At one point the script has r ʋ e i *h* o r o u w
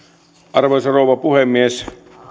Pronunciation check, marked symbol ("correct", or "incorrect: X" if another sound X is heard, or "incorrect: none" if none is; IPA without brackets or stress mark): incorrect: s